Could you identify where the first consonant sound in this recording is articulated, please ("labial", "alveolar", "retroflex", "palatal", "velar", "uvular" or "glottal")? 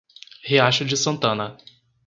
glottal